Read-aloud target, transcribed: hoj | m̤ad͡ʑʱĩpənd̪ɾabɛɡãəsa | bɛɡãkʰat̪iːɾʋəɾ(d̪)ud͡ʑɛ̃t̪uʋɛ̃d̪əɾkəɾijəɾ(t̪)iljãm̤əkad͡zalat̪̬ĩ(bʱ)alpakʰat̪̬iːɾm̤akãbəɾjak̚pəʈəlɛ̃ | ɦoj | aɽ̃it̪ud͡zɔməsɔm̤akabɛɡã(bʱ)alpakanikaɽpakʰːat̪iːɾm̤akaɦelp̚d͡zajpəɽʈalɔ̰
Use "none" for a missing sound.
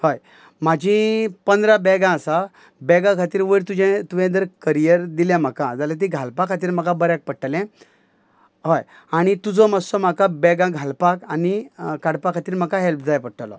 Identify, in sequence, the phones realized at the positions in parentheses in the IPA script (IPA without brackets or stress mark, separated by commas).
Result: t̪, d̪, ɡʱ, ɡʱ